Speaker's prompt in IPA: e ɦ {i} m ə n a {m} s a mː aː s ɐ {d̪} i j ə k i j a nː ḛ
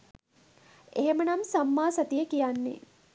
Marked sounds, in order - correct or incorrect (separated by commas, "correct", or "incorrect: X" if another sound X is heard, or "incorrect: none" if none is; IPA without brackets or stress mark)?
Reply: incorrect: e, correct, incorrect: t̪